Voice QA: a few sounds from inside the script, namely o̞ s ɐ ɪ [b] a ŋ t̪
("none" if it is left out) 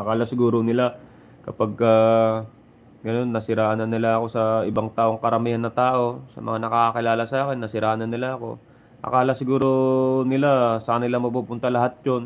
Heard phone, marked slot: b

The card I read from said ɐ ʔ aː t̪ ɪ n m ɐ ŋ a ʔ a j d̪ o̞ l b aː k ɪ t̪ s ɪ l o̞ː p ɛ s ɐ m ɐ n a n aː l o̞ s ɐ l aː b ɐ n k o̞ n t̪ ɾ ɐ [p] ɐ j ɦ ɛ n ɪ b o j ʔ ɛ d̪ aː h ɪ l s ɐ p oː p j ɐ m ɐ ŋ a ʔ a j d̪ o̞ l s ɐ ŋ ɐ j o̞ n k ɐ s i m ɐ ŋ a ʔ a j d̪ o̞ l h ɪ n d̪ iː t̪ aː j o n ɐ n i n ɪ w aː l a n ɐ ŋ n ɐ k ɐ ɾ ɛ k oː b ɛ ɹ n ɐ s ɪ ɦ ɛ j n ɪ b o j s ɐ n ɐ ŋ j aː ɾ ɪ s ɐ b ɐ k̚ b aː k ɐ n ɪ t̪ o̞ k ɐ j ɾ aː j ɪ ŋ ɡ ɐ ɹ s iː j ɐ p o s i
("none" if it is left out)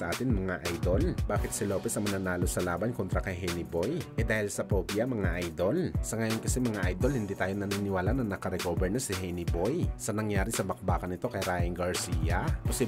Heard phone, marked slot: k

